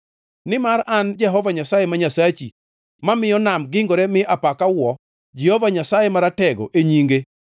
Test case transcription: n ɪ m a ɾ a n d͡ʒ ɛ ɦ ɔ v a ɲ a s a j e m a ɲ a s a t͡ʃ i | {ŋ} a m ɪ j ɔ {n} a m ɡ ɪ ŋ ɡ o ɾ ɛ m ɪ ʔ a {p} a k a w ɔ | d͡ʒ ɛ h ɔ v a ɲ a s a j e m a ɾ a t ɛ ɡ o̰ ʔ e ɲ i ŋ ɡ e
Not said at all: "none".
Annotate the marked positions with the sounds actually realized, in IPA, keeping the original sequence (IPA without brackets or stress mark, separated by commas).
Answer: m, n, p